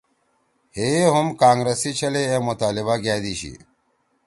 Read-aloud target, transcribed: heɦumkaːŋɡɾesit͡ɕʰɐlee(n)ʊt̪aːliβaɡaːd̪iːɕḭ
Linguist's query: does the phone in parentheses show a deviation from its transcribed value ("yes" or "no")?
yes